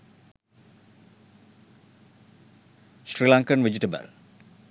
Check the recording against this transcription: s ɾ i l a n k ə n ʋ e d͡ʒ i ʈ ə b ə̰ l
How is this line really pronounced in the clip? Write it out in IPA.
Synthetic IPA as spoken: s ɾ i l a ŋ k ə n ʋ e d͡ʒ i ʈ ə b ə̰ l

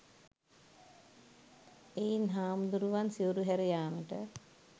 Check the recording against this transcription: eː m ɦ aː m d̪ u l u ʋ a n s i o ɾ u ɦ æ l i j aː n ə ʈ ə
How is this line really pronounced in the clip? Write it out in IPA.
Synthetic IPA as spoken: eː n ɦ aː m d̪ u ɾ u ʋ a n s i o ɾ u ɦ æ ɾ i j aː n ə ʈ ə

